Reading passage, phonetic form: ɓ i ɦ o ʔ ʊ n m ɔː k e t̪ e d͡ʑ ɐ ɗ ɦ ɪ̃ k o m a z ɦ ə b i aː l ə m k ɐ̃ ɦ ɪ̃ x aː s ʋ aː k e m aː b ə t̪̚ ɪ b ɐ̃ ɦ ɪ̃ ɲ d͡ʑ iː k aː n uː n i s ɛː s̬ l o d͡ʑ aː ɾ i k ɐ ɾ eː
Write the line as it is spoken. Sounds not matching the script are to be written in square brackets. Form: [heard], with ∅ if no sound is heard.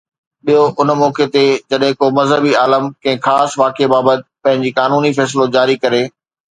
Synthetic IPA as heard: ɓ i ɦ o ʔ ʊ n m ɔː k e t̪ e d͡ʑ ɐ ɗ ɦ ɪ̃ k o m [ɐ] z ɦ ə b i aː l ə m k ɐ̃ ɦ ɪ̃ x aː s ʋ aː k e [b] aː b ə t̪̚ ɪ [p] ɐ̃ ɦ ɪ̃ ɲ d͡ʑ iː k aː n uː n i [f] ɛː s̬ l o d͡ʑ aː ɾ i k ɐ ɾ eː